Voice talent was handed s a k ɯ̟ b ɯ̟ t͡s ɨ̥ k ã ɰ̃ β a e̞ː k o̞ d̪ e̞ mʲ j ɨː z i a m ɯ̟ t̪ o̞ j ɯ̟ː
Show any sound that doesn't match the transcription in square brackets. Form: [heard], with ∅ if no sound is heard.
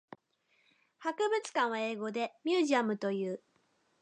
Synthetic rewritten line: [h] a k ɯ̟ b ɯ̟ t͡s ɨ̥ k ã ɰ̃ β a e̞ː [ɡ] o̞ d̪ e̞ mʲ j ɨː [ʑ] i a m ɯ̟ t̪ o̞ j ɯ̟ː

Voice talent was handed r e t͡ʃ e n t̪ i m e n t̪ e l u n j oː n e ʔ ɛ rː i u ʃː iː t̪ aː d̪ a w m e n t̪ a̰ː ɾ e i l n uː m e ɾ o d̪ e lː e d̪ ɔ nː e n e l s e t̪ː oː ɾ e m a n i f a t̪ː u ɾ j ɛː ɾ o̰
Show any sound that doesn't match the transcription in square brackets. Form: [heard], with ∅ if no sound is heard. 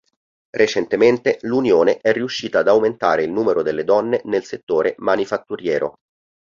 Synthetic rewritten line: r e t͡ʃ e n t̪ [e] m e n t̪ e l u n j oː n e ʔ ɛ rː i u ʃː iː t̪ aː d̪ a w m e n t̪ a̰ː ɾ e i l n uː m e ɾ o d̪ e lː e d̪ ɔ nː e n e l s e t̪ː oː ɾ e m a n i f a t̪ː u ɾ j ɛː ɾ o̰

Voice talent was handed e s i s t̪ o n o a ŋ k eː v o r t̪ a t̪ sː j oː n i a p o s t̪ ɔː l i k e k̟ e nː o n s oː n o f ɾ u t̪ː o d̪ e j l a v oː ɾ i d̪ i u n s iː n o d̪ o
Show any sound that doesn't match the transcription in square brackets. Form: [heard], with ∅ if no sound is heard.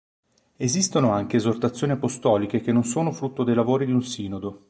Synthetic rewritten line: e [z] i s t̪ o n o a ŋ k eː [z] o r t̪ a t̪ sː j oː n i a p o s t̪ ɔː l i k e k̟ e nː o n s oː n o f ɾ u t̪ː o d̪ e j l a v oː ɾ i d̪ i u n s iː n o d̪ o

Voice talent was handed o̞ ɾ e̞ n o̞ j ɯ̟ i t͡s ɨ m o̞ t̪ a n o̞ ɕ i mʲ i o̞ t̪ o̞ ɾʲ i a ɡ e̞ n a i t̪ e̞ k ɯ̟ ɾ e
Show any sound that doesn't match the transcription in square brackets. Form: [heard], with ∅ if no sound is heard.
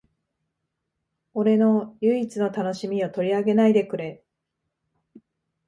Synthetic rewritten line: o̞ ɾ e̞ n o̞ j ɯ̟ i t͡s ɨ [n] o̞ t̪ a n o̞ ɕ i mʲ i o̞ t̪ o̞ ɾʲ i a ɡ e̞ n a i [d̪] e̞ k ɯ̟ ɾ e

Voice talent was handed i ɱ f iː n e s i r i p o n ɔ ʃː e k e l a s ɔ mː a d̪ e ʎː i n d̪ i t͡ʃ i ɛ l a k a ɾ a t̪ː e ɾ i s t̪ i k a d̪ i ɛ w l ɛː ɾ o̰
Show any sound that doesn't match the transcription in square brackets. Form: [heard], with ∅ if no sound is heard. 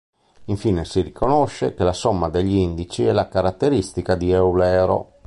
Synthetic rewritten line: i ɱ f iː n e s i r i [k] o n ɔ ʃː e k e l a s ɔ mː a d̪ e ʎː i n d̪ i t͡ʃ i ɛ l a k a ɾ a t̪ː e ɾ i s t̪ i k a d̪ i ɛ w l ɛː ɾ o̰

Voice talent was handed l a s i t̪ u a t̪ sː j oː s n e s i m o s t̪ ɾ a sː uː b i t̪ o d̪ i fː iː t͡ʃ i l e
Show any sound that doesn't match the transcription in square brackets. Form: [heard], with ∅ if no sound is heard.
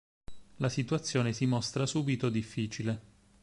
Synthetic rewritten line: l a s i t̪ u a t̪ sː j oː [∅] n e s i m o s t̪ ɾ a [s] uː b i t̪ o d̪ i fː iː t͡ʃ i l e

